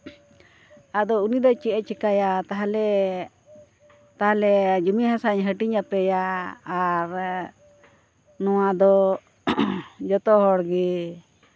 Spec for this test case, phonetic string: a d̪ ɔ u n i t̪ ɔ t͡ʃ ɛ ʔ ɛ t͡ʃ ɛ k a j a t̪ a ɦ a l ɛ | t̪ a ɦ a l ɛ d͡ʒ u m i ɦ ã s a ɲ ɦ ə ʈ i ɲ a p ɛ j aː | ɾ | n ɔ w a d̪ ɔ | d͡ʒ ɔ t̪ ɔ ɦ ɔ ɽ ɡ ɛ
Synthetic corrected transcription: a d̪ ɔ u n i d̪ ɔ t͡ʃ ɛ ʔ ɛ t͡ʃ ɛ k a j a t̪ a ɦ a l ɛ | t̪ a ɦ a l ɛ d͡ʒ u m i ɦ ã s a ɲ ɦ ə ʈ i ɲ a p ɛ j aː | ɾ | n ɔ w a d̪ ɔ | d͡ʒ ɔ t̪ ɔ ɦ ɔ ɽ ɡ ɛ